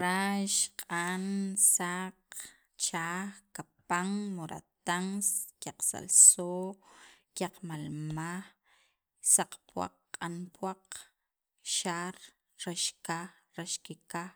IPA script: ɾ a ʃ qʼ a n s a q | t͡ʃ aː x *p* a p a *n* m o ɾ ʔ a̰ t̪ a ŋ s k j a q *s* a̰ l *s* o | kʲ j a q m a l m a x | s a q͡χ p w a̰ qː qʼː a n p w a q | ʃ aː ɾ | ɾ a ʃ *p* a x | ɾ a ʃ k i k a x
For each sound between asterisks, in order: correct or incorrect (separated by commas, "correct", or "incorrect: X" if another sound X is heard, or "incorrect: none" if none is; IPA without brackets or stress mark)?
incorrect: k, incorrect: ŋ, correct, correct, incorrect: k